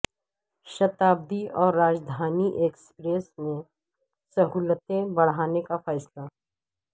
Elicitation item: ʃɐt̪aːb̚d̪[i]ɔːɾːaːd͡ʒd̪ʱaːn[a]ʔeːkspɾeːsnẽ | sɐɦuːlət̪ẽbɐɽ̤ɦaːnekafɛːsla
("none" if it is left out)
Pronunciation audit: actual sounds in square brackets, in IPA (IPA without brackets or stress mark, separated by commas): i, i